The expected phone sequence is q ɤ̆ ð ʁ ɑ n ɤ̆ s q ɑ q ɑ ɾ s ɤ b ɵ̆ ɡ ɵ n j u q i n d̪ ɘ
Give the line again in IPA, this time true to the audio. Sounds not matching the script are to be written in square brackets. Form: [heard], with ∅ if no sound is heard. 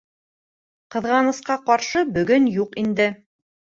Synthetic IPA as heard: q ɤ̆ ð ʁ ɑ n ɤ̆ s q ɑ q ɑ ɾ [ʃ] ɤ b ɵ̆ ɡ ɵ n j u q i n d̪ ɘ